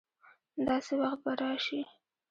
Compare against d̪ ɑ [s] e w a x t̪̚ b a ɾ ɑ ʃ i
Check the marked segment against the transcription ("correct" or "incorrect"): correct